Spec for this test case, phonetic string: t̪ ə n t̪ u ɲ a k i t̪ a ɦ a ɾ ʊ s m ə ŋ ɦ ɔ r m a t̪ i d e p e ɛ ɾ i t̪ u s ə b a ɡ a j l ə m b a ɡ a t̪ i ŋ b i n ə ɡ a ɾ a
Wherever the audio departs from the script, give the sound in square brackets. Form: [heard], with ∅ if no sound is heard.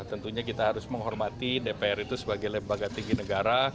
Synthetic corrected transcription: t̪ ə n t̪ u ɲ a k i t̪ a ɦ a ɾ ʊ s m ə ŋ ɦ ɔ r m a t̪ i d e p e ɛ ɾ i t̪ u s ə b a ɡ a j l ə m b a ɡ a t̪ i ŋ [ɡ] i n ə ɡ a ɾ a